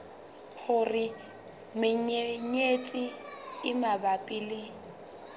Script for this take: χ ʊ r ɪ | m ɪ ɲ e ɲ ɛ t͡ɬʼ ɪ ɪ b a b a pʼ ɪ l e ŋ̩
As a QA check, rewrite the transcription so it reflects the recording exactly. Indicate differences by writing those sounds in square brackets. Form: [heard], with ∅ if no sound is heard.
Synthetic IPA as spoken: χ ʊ r ɪ | m ɪ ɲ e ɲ [e] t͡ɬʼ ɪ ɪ [m] a b a pʼ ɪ l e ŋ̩